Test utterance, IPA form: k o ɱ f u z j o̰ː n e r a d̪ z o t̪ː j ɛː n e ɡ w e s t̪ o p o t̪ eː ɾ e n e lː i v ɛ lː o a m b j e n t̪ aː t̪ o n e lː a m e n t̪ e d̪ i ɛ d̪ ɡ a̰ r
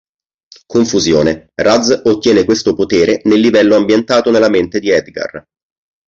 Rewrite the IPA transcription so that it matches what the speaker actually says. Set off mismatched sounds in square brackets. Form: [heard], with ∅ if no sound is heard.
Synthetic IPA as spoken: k o ɱ f u z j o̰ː n e r a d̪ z o t̪ː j ɛː n e [k] w e s t̪ o p o t̪ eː ɾ e n e lː i v ɛ lː o a m b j e n t̪ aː t̪ o n e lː a m e n t̪ e d̪ i ɛ d̪ ɡ a̰ r

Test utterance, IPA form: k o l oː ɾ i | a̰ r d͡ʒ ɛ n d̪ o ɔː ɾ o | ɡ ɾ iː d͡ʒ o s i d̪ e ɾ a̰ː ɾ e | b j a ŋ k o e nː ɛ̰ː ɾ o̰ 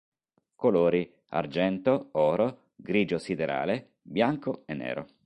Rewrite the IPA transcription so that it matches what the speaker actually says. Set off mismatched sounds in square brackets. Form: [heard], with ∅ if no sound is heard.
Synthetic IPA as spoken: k o l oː ɾ i | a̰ r d͡ʒ ɛ n [t̪] o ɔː ɾ o | ɡ ɾ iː d͡ʒ o s i d̪ e ɾ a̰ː [l] e | b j a ŋ k o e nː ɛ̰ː ɾ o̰

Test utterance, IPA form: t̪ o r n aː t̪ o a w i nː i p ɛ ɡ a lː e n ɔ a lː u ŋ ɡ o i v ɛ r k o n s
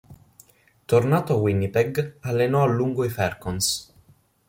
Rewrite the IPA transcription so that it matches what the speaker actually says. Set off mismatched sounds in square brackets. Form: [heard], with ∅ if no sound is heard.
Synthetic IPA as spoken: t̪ o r n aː t̪ o a w i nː i p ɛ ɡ a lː e n ɔ a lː u ŋ ɡ o i [f] ɛ r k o n s

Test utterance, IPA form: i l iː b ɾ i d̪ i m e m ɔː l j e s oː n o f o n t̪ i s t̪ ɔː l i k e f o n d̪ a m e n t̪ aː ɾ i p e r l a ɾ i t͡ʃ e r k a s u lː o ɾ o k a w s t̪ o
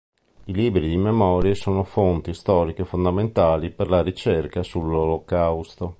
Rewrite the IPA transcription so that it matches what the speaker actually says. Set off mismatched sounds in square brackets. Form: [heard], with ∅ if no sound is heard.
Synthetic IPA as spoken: i l iː b ɾ i d̪ i m e m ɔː [ɾ] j e s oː n o f o n t̪ i s t̪ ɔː [ɾ] i k e f o n d̪ a m e n t̪ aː [l] i p e r l a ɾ i t͡ʃ e r k a s u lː o [l] o k a w s t̪ o

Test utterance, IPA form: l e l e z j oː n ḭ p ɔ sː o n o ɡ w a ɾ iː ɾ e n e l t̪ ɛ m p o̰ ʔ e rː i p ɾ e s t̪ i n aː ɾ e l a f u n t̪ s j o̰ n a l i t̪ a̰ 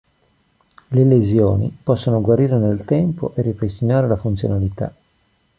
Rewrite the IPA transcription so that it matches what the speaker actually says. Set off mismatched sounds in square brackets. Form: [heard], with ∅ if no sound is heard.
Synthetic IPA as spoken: l e l e z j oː n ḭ p ɔ sː o n o ɡ w a ɾ iː ɾ e n e l t̪ ɛ m p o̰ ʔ e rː i p ɾ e s t̪ i n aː ɾ e l a f u n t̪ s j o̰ n a l i t̪ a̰

